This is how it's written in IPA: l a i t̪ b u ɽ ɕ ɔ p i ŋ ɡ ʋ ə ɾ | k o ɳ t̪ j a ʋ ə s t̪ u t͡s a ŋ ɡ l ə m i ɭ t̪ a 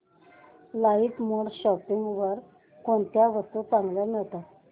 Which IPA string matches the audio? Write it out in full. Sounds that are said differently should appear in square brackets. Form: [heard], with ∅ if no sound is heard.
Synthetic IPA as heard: l a i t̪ [m] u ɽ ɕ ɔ p i ŋ ɡ ʋ ə ɾ | k o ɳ t̪ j a ʋ ə s t̪ u t͡s a ŋ ɡ l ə m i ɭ t̪ a